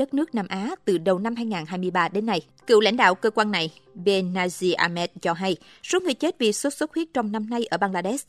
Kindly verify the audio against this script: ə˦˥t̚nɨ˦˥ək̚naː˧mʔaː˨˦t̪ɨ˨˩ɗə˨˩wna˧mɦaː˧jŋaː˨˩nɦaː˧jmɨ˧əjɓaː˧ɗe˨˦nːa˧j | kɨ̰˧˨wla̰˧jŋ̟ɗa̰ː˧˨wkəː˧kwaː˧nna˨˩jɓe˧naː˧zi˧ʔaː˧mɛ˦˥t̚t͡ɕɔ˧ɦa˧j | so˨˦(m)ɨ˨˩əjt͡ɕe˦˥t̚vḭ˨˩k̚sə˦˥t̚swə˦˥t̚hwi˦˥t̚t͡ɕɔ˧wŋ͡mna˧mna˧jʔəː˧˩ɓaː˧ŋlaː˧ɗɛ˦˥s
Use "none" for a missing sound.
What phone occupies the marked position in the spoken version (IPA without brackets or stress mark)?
ŋ